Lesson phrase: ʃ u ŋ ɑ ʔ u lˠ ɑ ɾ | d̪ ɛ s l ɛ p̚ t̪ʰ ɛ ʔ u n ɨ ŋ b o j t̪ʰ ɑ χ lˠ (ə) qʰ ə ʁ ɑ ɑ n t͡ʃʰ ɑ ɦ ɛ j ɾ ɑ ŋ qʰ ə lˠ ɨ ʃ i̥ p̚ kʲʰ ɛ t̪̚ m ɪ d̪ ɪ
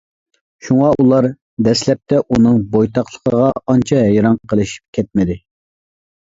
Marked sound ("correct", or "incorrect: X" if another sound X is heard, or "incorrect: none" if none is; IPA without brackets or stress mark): correct